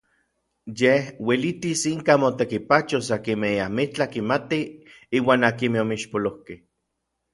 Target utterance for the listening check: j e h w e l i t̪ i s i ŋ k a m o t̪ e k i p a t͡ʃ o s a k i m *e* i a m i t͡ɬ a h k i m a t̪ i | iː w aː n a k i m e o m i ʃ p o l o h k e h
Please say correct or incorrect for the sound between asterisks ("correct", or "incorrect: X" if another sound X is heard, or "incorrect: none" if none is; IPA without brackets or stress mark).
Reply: correct